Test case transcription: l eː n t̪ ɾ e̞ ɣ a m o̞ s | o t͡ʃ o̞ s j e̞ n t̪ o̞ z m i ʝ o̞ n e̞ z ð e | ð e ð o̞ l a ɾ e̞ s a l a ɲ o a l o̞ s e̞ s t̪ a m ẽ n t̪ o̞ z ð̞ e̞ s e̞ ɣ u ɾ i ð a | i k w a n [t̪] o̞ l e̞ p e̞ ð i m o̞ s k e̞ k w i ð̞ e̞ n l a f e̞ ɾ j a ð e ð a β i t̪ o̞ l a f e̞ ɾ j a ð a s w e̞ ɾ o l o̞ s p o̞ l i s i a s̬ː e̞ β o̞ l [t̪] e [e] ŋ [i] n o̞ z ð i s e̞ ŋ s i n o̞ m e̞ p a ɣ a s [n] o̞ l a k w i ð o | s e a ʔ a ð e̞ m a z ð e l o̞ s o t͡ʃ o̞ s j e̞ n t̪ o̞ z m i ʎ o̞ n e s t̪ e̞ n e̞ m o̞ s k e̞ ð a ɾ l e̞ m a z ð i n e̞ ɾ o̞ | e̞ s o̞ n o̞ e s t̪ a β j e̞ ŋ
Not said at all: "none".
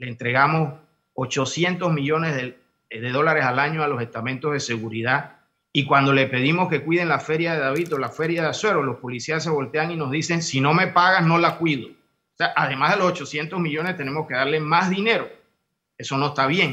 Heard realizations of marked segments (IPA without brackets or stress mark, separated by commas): d̪, t̪, a, i, n